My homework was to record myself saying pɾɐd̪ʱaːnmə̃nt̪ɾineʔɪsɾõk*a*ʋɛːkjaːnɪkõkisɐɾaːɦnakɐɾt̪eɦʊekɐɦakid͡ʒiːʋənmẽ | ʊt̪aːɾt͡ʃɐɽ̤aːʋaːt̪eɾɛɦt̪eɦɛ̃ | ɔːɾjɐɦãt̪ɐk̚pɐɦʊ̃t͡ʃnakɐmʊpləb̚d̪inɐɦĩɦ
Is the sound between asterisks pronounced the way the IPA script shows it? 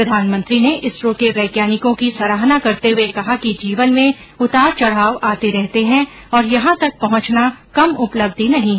no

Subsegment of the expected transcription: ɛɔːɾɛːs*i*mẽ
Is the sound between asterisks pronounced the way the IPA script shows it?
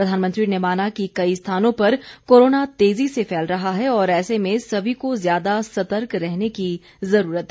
no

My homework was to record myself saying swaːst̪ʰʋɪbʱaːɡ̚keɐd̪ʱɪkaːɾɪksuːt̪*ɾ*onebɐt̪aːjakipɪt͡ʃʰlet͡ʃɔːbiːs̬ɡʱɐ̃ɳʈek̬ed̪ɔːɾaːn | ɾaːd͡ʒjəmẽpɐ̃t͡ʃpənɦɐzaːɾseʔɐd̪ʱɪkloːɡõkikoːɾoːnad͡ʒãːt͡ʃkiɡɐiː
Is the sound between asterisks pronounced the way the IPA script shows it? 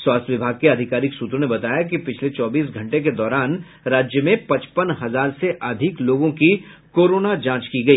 yes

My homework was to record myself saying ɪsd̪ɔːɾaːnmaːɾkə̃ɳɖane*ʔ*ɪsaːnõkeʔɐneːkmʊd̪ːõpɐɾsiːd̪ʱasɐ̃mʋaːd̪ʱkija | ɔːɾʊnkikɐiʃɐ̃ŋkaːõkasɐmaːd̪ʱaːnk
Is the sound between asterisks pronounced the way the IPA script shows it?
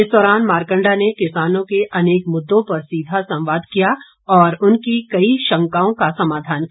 no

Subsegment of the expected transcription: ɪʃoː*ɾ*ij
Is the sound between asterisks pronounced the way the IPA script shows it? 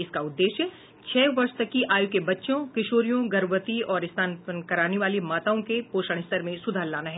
yes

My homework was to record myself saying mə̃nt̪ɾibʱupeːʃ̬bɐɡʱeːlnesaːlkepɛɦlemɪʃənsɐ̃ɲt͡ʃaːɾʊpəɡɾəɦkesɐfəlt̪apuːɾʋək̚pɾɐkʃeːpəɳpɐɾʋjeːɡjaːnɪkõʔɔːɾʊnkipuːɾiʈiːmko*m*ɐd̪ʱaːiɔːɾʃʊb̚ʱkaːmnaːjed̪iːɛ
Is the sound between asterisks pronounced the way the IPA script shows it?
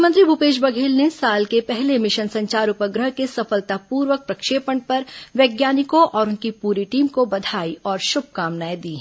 no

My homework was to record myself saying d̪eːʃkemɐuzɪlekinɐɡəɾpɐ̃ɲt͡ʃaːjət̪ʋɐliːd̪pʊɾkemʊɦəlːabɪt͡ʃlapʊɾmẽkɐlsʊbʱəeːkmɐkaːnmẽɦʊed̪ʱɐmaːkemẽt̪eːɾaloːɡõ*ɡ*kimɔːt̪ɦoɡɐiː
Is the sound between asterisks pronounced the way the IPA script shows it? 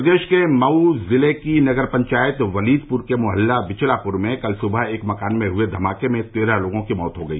no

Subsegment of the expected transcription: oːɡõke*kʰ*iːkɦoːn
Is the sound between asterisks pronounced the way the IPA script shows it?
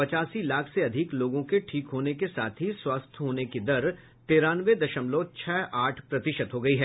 no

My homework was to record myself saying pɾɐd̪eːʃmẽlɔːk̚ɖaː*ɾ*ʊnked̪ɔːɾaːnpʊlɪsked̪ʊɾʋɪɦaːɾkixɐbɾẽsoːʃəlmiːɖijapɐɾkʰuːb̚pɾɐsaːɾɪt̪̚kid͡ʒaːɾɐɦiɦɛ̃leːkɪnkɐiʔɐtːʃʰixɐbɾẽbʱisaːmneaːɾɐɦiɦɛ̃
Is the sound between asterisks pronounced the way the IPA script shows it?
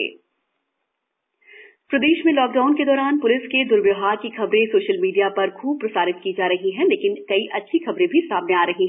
no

